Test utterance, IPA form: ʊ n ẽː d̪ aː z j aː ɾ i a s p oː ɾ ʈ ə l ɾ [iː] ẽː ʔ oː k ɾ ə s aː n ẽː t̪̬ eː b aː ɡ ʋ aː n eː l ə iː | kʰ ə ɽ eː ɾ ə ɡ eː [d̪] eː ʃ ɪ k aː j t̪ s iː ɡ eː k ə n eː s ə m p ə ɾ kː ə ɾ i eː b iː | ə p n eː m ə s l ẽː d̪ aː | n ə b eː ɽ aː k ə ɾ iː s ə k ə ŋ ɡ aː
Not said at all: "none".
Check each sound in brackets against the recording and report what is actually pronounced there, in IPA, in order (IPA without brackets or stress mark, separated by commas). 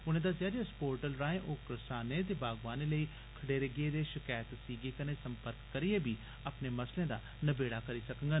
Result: aː, d̪